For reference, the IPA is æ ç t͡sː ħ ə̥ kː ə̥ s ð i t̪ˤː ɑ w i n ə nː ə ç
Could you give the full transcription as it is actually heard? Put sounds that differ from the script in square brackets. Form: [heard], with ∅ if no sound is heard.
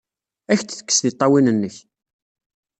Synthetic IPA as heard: æ ç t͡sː [θ] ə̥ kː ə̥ s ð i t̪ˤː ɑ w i n ə nː ə ç